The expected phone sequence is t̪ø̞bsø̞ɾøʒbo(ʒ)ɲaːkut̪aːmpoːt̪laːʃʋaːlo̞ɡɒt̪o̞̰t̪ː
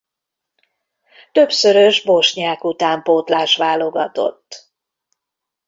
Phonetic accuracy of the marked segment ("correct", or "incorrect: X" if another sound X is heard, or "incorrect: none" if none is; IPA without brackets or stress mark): incorrect: ʃ